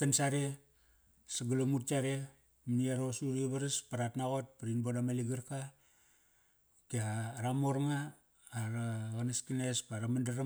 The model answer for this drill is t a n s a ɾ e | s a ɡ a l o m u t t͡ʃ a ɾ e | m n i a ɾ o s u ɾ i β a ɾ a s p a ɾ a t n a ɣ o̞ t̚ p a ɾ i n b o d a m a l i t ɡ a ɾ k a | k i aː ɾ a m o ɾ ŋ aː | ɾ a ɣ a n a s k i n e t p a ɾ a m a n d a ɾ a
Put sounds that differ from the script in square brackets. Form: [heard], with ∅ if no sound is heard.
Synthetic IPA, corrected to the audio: t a n s a ɾ e | s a ɡ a l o m u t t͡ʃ a ɾ e | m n i a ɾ o s u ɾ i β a ɾ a s p a ɾ a t n a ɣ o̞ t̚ p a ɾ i n b o d a m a l i [∅] ɡ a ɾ k a | k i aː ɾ a m o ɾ ŋ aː | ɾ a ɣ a n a s k i n e [s] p a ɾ a m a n d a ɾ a

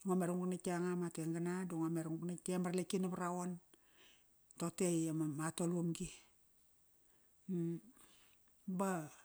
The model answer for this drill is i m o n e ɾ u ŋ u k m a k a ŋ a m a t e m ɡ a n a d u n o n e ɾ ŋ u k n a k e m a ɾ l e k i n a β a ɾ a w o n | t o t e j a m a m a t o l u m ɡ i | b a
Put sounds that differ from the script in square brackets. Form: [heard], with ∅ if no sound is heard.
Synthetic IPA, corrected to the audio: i [ŋ] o [m] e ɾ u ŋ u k [n] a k a ŋ a m a t e [ŋ] ɡ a n a d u [ŋ] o [m] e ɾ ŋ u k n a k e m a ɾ l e k i n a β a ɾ a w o n | t o t e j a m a m a t o l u m ɡ i | b a

